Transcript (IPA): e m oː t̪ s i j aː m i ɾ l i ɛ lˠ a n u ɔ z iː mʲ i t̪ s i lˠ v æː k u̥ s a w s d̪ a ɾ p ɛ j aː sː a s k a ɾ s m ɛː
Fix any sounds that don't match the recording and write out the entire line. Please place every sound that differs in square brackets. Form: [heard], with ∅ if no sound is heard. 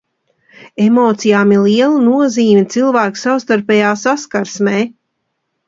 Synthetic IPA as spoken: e m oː t̪ s i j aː m i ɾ l i ɛ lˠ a n u ɔ z iː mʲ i t̪ s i lˠ v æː k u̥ s a w s [t̪] a ɾ p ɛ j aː [s] a s k a ɾ s m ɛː